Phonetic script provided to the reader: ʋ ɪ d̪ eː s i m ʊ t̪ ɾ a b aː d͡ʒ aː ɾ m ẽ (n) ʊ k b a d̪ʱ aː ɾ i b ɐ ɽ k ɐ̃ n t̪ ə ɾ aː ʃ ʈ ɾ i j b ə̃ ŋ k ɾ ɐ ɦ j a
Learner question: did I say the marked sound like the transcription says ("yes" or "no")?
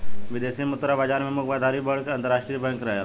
no